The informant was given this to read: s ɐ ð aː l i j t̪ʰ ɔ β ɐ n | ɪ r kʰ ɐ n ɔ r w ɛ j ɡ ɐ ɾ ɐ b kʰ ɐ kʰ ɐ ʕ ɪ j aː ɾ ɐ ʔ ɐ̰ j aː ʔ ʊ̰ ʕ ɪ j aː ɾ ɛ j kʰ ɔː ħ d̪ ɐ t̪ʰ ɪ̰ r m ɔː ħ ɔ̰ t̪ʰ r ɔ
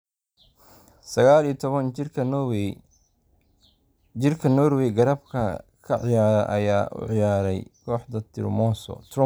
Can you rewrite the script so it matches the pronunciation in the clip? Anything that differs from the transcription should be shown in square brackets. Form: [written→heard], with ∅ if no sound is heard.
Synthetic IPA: s ɐ [ð→ɣ] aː l i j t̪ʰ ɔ β ɐ n | ɪ r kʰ ɐ n ɔ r w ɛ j ɡ ɐ ɾ ɐ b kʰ ɐ kʰ ɐ ʕ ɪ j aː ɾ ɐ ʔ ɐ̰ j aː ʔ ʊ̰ ʕ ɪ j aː ɾ ɛ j kʰ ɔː ħ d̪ ɐ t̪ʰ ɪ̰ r m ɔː [ħ→s] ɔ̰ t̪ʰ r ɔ